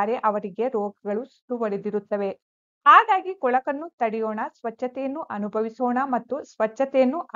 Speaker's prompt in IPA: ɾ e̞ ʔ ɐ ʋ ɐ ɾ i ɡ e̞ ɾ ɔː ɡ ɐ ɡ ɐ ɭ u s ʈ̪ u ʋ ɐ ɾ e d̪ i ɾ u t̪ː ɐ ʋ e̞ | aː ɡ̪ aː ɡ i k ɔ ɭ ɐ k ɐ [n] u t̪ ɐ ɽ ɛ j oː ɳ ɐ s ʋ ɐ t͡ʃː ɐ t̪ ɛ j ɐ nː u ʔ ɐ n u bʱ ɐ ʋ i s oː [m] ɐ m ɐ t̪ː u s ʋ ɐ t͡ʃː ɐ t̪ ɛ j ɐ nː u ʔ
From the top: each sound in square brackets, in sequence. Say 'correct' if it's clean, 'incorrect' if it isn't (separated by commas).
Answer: incorrect, incorrect